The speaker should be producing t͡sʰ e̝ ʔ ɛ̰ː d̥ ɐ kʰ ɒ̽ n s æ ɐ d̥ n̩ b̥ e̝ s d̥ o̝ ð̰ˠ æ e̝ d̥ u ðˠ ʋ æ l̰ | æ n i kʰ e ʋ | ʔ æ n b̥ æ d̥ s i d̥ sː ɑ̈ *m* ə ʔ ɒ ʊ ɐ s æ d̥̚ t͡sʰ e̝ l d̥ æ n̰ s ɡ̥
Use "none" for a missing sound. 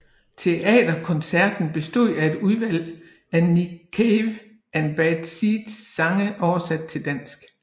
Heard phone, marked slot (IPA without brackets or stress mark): ŋ